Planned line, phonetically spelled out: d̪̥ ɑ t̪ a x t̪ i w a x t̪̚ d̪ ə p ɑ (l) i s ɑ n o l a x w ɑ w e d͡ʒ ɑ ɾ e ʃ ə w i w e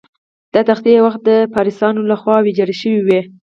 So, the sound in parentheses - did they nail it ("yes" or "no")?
no